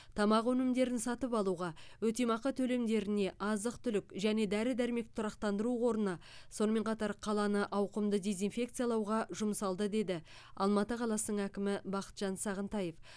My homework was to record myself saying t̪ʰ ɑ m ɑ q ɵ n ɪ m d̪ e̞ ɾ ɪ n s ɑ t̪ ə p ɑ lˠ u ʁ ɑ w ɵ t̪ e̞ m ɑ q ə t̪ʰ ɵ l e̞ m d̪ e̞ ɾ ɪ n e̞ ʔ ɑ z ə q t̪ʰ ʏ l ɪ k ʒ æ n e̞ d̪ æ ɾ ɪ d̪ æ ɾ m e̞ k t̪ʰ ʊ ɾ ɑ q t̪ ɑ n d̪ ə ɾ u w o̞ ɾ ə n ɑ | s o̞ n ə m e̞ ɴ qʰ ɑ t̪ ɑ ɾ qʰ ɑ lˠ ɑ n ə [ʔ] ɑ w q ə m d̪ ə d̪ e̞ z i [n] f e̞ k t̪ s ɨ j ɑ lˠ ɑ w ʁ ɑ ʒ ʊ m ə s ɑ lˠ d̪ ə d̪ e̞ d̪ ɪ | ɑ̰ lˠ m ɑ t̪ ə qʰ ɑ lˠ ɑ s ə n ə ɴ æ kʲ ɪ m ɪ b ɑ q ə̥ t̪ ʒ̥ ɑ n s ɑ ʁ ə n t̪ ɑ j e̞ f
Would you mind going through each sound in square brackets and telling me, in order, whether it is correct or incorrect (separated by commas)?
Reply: correct, correct